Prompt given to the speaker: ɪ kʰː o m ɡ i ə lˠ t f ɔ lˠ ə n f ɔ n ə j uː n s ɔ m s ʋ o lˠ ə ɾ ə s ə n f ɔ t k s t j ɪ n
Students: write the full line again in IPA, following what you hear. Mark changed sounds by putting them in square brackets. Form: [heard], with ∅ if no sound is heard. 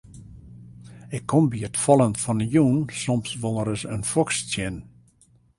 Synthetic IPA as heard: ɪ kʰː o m [b] i ə [∅] t f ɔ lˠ ə n f ɔ n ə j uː n s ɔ m s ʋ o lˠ ə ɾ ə s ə n f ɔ [∅] k s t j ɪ n